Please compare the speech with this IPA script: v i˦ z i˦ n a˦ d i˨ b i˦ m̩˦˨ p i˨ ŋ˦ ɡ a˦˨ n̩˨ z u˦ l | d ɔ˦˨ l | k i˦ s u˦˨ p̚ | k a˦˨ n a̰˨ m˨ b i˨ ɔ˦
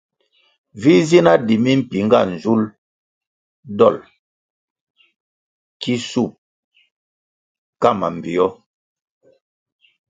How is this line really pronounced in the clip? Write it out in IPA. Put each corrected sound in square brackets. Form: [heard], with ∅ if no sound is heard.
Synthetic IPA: v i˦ z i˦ n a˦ d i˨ [m] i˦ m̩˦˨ p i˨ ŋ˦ ɡ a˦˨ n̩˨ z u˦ l | d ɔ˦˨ l | k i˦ s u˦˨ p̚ | k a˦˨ [m] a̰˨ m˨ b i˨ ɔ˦

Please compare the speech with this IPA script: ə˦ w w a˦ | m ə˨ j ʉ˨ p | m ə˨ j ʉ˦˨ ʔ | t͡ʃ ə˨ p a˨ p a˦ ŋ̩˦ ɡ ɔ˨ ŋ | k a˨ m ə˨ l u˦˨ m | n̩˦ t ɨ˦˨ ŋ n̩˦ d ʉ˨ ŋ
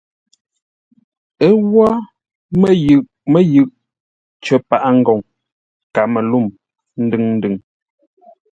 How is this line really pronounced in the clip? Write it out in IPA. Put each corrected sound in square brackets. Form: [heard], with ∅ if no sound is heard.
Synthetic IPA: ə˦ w w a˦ | m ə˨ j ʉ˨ [ʔ] | m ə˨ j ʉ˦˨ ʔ | t͡ʃ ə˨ p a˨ [ʔ] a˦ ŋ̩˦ ɡ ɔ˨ ŋ | k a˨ m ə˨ l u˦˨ m | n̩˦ [d] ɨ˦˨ ŋ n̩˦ d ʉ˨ ŋ

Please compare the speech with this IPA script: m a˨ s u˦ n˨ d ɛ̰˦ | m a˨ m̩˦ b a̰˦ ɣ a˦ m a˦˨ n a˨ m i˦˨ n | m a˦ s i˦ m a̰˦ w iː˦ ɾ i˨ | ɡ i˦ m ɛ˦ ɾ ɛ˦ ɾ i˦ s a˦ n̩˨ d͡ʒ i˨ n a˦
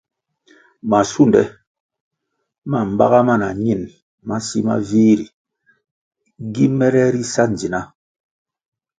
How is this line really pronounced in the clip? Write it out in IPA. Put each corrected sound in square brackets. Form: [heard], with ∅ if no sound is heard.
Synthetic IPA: m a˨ s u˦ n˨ d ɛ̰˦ | m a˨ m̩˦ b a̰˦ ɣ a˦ m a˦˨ n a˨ [ɲ] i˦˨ n | m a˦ s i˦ m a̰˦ [v] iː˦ ɾ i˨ | ɡ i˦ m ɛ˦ ɾ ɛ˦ ɾ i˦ s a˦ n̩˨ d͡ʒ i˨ n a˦

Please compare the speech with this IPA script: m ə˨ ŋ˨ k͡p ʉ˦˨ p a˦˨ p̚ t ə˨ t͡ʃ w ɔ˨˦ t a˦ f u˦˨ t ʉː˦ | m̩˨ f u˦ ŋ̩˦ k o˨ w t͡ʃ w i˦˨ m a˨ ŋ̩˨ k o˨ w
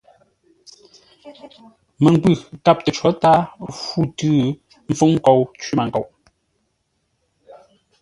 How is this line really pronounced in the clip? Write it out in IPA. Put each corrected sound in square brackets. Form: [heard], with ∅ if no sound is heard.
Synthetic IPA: m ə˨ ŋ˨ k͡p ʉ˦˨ [k] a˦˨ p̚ t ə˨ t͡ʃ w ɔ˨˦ t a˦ f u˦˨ t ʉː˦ | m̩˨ f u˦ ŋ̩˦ k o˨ w t͡ʃ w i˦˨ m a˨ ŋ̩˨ k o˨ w

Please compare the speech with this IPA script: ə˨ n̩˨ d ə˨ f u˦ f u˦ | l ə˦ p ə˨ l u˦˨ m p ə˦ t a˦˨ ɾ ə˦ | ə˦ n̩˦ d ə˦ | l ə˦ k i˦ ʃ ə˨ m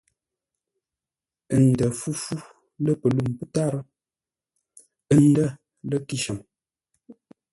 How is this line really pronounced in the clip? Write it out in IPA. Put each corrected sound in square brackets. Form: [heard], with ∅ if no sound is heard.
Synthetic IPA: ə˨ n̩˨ d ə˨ f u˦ f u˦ | l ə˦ p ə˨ l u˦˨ m p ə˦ t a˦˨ ɾ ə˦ | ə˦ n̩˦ d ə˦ | l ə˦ k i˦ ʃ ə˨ m

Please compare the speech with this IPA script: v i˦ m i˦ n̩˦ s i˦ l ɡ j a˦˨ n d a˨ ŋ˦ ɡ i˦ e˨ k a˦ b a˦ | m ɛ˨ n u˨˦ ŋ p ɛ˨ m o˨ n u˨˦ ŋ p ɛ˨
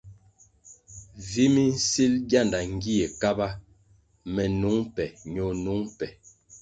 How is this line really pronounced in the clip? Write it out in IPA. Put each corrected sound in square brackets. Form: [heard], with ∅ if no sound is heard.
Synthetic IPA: v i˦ m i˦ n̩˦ s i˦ l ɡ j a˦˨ n d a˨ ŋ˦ ɡ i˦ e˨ k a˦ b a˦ | m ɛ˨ n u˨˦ ŋ p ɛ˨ [ɲ] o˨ n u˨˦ ŋ p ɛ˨

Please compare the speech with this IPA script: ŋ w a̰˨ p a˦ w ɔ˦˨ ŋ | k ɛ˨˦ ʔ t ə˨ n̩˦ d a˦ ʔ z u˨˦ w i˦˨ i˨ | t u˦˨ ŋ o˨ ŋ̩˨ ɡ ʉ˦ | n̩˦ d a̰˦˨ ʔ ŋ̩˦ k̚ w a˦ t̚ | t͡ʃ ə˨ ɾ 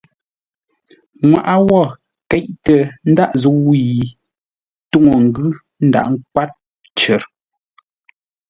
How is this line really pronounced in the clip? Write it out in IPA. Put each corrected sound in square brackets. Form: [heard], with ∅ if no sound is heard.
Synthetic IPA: ŋ w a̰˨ [ʔ] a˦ w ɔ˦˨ [∅] | k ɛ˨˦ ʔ t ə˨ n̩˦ d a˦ ʔ z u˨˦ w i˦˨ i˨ | t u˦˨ ŋ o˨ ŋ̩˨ ɡ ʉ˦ | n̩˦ d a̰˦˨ ʔ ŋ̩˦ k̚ w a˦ t̚ | t͡ʃ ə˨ ɾ

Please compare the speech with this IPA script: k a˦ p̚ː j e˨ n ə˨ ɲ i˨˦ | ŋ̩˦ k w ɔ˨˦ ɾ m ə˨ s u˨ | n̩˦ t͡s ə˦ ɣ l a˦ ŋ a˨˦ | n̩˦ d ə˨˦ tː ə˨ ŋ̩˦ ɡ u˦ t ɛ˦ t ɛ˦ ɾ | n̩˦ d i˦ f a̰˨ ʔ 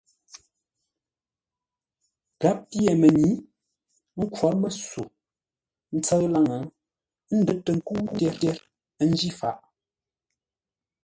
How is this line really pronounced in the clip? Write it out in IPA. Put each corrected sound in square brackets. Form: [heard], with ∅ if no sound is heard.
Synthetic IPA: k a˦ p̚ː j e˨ [m] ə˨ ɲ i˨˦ | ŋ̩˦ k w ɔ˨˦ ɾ m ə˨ s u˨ | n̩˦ t͡s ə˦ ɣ l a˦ ŋ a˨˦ | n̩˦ d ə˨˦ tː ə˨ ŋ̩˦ [k] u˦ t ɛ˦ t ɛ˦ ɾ | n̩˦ [d͡ʒ] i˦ f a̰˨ ʔ

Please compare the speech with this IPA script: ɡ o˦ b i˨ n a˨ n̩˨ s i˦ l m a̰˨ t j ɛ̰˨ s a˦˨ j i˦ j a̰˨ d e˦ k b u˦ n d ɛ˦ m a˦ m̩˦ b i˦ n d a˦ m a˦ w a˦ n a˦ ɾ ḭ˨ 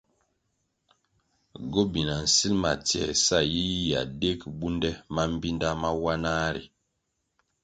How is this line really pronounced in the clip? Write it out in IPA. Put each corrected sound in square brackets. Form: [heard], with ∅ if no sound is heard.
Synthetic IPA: ɡ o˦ b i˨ n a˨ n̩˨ s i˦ l m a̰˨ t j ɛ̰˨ s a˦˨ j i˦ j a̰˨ d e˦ k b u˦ n d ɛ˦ m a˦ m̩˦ b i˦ n d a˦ m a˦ w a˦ n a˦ ɾ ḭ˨

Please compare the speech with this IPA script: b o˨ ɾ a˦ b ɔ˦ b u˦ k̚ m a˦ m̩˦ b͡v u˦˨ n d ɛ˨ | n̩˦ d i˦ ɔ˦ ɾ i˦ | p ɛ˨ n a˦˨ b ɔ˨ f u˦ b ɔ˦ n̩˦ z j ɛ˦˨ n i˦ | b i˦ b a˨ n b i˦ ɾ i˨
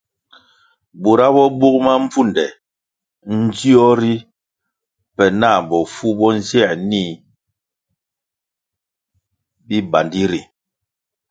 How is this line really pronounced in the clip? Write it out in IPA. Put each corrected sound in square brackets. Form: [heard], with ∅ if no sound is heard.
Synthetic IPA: b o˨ ɾ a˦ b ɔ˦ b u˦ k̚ m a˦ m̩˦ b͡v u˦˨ n d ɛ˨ | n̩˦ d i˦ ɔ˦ ɾ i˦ | p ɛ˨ n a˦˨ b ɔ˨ f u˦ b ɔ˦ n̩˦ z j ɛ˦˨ n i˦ | b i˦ b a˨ n [d] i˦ ɾ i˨

